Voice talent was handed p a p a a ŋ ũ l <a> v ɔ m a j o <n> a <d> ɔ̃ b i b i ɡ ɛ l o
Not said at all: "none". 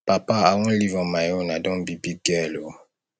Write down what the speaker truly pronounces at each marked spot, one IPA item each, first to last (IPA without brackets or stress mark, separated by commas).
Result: i, n, d